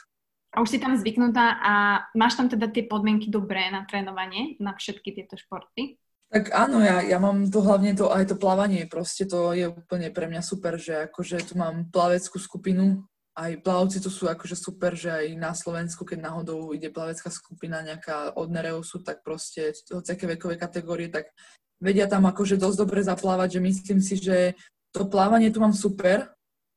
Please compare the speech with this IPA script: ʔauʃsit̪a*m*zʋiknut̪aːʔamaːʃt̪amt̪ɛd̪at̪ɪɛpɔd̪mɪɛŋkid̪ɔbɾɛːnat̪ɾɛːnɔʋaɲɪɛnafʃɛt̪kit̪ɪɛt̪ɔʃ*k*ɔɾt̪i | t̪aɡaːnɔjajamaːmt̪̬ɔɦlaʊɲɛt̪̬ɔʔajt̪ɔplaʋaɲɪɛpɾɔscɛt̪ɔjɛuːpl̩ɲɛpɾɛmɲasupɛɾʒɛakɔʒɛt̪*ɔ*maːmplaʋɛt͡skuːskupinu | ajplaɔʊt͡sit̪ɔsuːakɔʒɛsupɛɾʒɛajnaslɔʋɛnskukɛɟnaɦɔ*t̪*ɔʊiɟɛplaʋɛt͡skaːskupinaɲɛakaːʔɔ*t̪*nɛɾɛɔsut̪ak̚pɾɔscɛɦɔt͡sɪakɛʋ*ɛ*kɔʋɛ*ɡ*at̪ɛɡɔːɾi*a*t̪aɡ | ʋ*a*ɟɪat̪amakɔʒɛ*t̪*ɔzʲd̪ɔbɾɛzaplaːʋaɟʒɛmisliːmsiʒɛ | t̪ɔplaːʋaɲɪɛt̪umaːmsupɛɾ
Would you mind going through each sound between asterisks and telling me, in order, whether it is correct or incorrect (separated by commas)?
correct, incorrect, incorrect, incorrect, incorrect, correct, incorrect, incorrect, incorrect, incorrect